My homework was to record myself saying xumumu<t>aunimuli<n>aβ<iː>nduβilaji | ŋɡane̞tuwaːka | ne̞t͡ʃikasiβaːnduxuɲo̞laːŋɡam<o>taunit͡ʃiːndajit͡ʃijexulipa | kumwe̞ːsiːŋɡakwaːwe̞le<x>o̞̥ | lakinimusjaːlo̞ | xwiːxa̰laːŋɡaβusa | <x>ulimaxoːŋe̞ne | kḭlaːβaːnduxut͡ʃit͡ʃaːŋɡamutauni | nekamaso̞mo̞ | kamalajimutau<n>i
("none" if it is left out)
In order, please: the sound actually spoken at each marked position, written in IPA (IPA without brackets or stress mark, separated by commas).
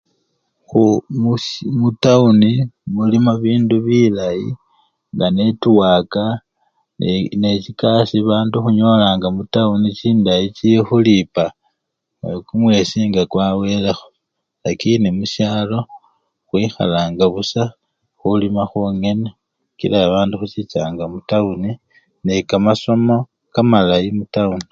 t, m, iː, u, x, x, n